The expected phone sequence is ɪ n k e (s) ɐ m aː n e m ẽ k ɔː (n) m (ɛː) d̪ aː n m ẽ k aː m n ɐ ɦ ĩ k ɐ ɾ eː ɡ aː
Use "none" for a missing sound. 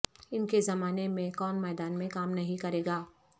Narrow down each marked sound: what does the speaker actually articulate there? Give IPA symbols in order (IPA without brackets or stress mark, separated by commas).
z, n, ɛː